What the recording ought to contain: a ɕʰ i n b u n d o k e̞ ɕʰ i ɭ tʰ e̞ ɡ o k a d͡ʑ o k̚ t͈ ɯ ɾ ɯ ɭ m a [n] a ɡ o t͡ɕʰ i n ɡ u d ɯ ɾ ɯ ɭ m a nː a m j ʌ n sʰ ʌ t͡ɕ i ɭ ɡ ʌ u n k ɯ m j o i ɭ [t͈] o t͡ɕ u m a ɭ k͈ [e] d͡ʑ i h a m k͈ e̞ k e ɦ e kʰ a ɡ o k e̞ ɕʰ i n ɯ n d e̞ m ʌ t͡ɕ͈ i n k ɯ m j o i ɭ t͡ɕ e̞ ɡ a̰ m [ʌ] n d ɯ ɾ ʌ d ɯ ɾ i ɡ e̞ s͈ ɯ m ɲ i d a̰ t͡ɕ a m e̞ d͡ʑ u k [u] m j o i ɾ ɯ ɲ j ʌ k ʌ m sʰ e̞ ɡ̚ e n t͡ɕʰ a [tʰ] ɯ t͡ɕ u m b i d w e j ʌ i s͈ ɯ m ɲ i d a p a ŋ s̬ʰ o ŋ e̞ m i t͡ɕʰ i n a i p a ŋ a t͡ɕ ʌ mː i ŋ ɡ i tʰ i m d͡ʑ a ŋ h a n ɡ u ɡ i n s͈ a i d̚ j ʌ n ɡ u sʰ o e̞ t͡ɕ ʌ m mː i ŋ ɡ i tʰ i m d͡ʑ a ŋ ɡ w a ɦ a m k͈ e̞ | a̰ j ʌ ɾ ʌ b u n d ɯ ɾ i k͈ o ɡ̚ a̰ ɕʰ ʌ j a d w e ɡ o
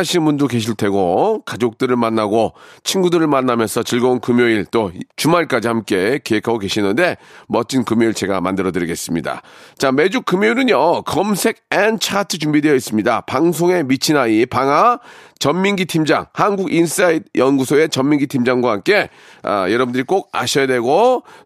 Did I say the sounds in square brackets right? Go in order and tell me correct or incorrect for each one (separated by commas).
incorrect, correct, incorrect, incorrect, incorrect, correct